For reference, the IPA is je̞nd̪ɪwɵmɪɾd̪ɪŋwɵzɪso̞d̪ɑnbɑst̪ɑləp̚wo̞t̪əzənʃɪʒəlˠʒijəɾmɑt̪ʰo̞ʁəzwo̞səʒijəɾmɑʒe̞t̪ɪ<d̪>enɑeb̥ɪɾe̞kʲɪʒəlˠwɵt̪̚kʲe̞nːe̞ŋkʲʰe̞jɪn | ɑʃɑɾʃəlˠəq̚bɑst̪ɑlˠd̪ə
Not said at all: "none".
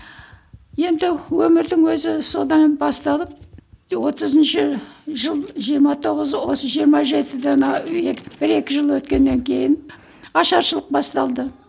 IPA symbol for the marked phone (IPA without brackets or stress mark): d̪